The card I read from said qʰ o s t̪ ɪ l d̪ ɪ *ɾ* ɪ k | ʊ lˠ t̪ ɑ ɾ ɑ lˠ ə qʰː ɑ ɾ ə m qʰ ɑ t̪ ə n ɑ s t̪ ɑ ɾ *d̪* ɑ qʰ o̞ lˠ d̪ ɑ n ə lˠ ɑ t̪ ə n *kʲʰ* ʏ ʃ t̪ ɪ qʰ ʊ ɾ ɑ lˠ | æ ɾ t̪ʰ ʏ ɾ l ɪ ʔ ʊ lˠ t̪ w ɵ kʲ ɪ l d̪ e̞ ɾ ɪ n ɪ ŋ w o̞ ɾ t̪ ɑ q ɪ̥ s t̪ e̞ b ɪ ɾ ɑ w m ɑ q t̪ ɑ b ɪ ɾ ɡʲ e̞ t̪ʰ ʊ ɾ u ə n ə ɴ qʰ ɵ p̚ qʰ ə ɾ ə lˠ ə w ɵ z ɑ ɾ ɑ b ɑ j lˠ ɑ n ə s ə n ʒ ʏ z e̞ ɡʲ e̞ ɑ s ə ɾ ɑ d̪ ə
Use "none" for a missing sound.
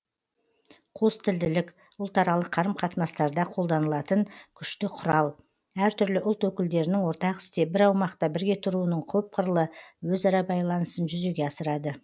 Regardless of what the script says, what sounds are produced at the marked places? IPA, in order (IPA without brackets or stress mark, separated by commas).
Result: l, d̪, kʲʰ